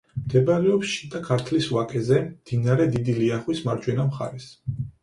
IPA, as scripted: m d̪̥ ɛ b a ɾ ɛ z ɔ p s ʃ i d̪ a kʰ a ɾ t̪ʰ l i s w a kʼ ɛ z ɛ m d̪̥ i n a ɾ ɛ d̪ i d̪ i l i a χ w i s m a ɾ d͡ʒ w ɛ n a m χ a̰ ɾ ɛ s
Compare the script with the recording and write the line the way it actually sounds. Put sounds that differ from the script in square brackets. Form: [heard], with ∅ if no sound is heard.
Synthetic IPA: m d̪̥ ɛ b a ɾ ɛ [∅] ɔ p s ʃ i d̪ a kʰ a ɾ t̪ʰ l i s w a kʼ ɛ z ɛ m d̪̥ i n a ɾ ɛ d̪ i d̪ i l i a χ w i s m a ɾ d͡ʒ w ɛ n a m χ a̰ ɾ ɛ s